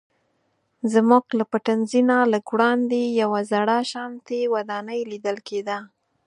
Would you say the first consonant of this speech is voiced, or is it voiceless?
voiced